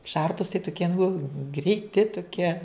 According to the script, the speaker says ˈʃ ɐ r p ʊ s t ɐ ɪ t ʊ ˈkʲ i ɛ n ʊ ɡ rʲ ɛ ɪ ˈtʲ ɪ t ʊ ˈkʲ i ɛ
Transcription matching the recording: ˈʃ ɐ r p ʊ s t ɐ ɪ t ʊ ˈkʲ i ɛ n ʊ ɡ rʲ ɛ ɪ ˈtʲ ɪ t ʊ ˈkʲ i ɛ